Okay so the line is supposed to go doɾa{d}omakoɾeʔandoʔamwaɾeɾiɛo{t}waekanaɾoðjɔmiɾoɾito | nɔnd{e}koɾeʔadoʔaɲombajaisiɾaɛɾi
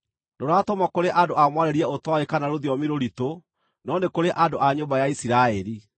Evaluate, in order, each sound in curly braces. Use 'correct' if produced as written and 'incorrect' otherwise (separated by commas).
incorrect, correct, correct